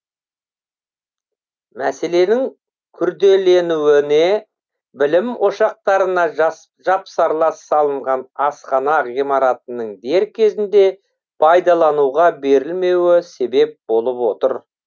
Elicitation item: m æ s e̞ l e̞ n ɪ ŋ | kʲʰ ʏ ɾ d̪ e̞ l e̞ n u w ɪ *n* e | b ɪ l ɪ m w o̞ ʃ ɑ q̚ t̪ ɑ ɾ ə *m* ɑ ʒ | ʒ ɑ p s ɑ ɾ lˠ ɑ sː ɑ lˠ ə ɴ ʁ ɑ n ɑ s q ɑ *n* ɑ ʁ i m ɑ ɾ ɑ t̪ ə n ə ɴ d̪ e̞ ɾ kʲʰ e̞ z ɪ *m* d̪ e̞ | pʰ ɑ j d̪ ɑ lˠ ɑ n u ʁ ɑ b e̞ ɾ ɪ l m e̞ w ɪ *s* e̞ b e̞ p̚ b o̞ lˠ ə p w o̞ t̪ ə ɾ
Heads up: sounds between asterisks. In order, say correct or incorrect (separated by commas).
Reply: correct, incorrect, correct, incorrect, correct